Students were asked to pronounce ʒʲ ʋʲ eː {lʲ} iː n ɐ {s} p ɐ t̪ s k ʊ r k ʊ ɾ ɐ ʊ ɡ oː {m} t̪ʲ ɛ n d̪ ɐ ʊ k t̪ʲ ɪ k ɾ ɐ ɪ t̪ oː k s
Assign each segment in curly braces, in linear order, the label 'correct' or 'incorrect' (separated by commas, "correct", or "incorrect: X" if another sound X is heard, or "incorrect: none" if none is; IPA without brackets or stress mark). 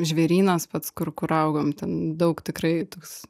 incorrect: ɾʲ, correct, correct